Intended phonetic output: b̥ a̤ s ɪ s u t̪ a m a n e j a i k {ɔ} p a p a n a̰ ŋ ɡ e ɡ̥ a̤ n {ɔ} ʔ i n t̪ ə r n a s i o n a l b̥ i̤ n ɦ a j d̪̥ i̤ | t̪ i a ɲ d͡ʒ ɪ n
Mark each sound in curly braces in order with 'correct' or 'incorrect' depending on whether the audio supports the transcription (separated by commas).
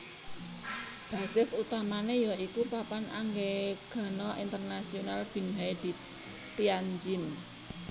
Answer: incorrect, correct